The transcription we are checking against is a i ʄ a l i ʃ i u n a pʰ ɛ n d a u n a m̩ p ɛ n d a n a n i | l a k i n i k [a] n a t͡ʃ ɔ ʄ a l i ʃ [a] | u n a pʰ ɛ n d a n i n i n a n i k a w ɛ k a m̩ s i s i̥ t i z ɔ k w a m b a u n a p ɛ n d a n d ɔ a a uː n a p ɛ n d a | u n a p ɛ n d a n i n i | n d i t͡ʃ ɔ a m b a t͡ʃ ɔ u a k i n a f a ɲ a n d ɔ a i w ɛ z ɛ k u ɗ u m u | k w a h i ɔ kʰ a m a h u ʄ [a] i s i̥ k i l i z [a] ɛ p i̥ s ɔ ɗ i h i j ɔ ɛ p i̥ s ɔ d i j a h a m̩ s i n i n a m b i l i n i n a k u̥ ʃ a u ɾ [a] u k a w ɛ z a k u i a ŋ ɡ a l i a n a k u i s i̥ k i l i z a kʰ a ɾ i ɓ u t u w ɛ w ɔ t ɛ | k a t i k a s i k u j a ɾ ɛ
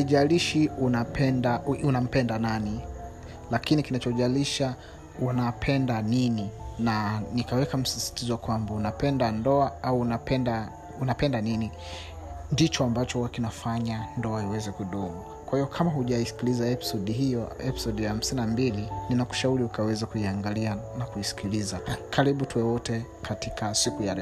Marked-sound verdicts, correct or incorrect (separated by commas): incorrect, correct, correct, correct, incorrect